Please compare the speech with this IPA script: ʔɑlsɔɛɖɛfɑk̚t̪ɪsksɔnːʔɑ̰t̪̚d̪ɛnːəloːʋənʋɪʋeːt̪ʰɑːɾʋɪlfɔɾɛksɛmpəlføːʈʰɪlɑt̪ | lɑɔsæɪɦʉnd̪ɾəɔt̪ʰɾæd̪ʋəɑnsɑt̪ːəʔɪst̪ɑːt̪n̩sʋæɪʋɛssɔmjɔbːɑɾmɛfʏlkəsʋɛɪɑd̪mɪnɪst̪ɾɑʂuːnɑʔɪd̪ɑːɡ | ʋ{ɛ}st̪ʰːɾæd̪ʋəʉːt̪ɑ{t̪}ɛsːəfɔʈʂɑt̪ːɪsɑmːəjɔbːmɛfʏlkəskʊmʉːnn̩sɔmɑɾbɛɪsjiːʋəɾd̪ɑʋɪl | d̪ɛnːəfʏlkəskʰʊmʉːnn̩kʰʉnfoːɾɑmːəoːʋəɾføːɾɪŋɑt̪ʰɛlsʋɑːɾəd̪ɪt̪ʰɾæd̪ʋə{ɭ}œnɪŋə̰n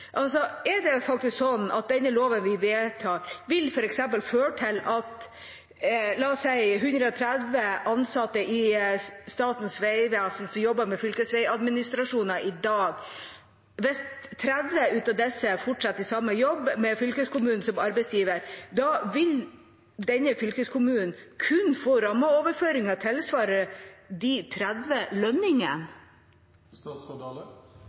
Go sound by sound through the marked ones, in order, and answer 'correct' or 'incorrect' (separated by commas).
correct, incorrect, incorrect